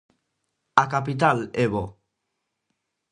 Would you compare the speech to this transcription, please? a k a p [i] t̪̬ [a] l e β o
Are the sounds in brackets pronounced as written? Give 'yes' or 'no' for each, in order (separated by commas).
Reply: yes, yes